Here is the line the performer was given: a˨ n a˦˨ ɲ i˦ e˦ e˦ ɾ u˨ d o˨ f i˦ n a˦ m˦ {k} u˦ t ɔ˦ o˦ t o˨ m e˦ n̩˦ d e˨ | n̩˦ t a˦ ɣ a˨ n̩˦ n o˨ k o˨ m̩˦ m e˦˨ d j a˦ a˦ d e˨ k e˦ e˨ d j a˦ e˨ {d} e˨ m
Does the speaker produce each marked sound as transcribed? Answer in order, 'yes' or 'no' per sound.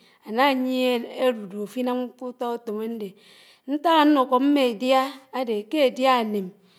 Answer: yes, no

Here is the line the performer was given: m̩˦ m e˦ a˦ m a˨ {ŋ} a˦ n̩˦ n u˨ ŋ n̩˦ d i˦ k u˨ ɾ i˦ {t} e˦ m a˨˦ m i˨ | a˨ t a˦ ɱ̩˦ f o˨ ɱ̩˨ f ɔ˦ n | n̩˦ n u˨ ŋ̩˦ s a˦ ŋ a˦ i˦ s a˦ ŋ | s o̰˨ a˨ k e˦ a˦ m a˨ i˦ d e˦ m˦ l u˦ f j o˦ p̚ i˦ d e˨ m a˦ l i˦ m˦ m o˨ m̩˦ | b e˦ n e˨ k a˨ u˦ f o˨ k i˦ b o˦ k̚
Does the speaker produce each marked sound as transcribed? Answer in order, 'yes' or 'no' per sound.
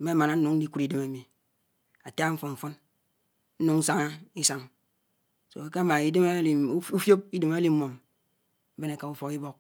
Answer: no, no

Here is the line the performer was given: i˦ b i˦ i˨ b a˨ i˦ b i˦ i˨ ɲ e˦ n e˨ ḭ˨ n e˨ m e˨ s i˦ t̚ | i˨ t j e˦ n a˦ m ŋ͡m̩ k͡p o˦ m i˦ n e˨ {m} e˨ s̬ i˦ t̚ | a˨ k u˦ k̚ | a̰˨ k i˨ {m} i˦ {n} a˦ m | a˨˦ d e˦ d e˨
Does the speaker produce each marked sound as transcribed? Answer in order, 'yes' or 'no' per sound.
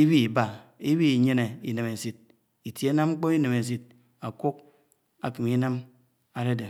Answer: yes, yes, yes

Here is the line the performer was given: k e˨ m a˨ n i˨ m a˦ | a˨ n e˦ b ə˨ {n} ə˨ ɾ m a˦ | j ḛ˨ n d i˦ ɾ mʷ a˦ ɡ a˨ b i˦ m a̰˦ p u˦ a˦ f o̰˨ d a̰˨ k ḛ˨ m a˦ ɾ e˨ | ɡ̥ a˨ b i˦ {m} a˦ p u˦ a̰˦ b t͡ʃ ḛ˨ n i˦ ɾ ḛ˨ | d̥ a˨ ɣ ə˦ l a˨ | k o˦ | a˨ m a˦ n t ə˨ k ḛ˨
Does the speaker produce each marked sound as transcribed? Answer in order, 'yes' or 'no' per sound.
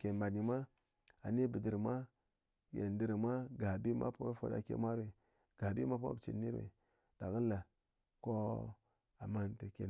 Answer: no, yes

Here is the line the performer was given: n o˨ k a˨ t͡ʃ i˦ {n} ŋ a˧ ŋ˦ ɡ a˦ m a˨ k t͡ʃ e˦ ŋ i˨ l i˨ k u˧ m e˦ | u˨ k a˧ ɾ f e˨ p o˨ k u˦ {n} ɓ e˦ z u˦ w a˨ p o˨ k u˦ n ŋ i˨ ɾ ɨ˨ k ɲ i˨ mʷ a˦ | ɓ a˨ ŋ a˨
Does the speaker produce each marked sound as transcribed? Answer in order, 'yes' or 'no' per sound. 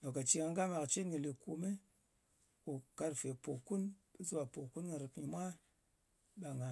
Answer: no, yes

